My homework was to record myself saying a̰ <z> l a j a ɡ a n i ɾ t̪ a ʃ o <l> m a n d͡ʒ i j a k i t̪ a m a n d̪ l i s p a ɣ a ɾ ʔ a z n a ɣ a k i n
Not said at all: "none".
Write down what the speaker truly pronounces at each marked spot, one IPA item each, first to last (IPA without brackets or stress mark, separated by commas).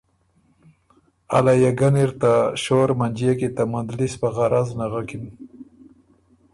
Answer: none, ɾ